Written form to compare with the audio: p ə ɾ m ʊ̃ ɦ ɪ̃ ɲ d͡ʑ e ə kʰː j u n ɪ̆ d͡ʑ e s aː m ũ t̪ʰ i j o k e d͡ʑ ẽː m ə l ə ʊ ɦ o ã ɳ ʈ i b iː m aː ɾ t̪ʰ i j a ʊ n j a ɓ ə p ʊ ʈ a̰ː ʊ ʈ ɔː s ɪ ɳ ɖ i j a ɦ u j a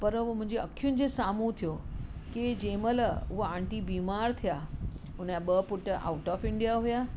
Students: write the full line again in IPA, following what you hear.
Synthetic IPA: p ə ɾ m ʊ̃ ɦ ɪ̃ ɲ d͡ʑ e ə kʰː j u n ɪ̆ d͡ʑ e s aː m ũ t̪ʰ i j o k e d͡ʑ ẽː m ə l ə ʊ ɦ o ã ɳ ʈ i b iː m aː ɾ t̪ʰ i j a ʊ n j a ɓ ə p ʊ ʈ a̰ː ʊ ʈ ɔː f ɪ ɳ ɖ i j a ɦ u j a